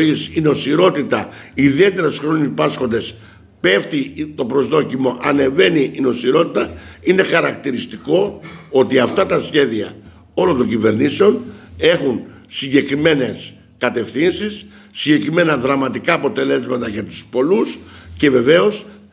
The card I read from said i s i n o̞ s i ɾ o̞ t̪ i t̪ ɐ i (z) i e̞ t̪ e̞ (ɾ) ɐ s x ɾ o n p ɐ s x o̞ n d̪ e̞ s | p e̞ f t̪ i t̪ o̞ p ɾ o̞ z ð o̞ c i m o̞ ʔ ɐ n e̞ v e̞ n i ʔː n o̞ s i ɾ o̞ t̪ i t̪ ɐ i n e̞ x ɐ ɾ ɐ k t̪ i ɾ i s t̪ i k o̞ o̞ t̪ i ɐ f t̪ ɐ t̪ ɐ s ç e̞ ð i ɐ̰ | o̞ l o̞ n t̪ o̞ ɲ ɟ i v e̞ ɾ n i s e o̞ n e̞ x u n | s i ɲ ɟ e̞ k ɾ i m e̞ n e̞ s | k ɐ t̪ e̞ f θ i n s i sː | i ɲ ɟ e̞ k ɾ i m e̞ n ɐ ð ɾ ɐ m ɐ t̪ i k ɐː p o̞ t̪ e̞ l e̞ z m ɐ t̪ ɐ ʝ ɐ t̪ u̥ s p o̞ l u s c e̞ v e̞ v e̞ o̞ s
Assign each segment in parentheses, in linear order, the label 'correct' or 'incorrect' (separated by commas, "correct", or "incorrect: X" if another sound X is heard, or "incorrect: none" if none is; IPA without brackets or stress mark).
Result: incorrect: ð, correct